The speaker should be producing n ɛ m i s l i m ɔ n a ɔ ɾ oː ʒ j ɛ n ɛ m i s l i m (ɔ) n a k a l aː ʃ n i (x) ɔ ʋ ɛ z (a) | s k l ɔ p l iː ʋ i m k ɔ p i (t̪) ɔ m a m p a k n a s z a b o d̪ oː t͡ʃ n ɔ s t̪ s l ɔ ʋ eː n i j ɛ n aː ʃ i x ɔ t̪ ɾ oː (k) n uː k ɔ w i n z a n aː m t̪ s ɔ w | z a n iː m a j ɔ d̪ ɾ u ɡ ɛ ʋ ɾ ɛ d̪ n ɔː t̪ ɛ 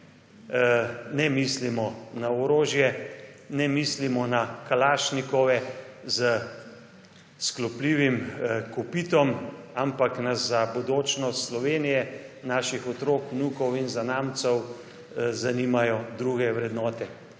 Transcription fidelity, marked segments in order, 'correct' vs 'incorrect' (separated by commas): correct, incorrect, incorrect, correct, correct